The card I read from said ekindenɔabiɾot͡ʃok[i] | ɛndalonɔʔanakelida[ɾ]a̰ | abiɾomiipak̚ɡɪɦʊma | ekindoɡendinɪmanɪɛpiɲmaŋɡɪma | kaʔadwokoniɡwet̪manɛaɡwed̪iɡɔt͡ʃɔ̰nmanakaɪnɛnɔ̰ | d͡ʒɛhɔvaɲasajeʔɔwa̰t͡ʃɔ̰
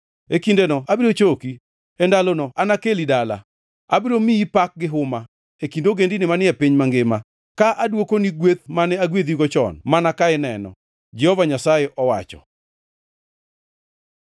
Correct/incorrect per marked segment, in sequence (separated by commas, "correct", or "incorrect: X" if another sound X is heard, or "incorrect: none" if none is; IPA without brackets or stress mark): correct, incorrect: l